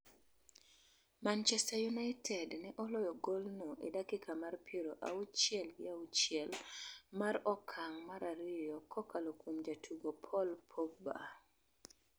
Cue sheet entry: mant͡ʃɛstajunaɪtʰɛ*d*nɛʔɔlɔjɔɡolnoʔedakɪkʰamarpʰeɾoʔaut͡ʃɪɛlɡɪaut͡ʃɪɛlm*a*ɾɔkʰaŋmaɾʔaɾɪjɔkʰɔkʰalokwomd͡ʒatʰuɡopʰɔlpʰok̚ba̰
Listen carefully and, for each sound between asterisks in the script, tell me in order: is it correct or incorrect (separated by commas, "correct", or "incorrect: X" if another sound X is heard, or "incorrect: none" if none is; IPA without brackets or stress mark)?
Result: correct, correct